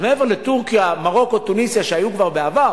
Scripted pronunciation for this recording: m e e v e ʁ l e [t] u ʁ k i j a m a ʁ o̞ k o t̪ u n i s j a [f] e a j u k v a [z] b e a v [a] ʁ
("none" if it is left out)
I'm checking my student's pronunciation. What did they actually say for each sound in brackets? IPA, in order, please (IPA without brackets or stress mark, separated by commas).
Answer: t, ʃ, ʁ, a